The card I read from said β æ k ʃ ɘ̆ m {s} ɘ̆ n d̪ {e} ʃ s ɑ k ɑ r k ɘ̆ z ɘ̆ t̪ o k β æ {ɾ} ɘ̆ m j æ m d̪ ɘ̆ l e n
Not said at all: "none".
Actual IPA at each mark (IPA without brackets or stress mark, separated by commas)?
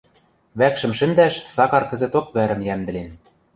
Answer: ʃ, æ, ɾ